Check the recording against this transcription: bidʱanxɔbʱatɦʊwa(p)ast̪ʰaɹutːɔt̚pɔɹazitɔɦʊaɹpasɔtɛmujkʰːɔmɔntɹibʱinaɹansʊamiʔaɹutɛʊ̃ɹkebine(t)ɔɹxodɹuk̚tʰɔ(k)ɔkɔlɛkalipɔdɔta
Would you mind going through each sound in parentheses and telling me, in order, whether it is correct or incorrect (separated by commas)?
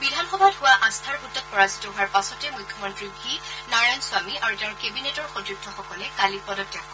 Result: incorrect, correct, incorrect